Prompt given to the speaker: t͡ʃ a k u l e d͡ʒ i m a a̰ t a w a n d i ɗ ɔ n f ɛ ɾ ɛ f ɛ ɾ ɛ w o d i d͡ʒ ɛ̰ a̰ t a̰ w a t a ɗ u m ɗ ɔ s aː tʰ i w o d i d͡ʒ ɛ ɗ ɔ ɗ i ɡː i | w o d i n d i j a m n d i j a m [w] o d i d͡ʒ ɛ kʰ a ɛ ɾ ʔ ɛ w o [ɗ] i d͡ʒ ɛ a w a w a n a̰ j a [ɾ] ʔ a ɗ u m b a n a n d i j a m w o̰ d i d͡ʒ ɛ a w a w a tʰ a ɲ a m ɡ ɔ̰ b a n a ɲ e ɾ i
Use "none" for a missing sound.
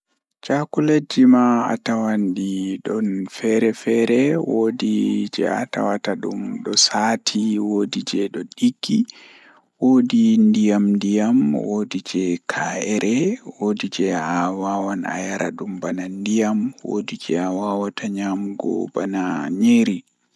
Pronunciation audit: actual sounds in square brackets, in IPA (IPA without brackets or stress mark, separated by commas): w, d, ɾ